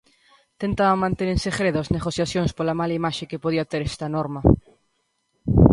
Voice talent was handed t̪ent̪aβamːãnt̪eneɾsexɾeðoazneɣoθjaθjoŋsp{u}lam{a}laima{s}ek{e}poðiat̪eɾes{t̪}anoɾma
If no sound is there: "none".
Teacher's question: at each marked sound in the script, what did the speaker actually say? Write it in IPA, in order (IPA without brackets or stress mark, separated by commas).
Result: o, a, ʃ, e, t̪